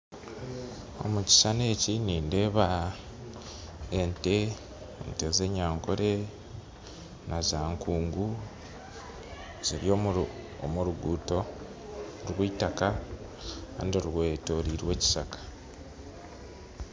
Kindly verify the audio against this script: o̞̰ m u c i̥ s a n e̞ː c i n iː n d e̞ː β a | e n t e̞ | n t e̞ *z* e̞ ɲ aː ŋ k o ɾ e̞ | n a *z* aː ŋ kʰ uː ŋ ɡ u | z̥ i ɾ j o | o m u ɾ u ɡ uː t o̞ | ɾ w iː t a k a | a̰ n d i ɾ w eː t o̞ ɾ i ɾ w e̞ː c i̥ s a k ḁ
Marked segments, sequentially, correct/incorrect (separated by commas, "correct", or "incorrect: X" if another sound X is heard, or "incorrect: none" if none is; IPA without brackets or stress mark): correct, correct